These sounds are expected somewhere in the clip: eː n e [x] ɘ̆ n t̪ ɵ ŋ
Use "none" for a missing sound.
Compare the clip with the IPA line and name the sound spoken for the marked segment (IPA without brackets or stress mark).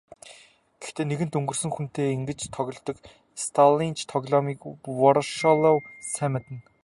ɣ